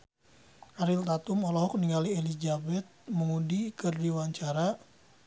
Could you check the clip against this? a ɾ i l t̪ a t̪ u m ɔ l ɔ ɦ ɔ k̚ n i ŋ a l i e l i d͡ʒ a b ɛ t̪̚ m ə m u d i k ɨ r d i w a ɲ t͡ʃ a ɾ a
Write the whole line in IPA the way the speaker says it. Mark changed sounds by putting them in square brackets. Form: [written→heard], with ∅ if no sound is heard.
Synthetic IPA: a ɾ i l t̪ a t̪ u m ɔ l ɔ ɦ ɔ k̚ n i ŋ a l i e l i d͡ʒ a b ɛ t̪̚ m ə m u d i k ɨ r d i w a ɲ t͡ʃ a ɾ a